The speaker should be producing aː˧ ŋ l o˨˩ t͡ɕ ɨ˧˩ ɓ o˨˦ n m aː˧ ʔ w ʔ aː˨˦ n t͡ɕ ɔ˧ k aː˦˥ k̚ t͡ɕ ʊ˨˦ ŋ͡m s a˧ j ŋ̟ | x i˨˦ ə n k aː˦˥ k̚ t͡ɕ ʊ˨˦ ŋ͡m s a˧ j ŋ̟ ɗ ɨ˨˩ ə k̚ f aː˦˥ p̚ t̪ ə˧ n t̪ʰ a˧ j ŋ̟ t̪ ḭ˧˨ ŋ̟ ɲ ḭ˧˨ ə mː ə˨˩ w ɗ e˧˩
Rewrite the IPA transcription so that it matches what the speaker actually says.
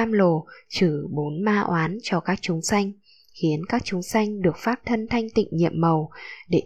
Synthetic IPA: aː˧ m l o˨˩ t͡ɕ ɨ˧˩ ɓ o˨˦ n m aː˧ ʔ w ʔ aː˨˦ n t͡ɕ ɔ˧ k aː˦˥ k̚ t͡ɕ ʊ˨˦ ŋ͡m s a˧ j ŋ̟ | x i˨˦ ə n k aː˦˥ k̚ t͡ɕ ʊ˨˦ ŋ͡m s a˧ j ŋ̟ ɗ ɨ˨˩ ə k̚ f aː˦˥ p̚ t̪ʰ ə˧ n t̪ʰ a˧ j ŋ̟ t̪ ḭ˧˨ ŋ̟ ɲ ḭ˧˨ ə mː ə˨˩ w ɗ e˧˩